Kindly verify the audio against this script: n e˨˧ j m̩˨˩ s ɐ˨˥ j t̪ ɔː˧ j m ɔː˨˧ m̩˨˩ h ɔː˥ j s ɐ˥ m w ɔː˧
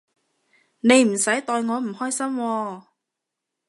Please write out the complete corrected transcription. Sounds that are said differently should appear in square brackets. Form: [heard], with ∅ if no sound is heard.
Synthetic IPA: n e˨˧ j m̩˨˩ s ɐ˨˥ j t̪ ɔː˧ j [ŋ] ɔː˨˧ m̩˨˩ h ɔː˥ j s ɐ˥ m w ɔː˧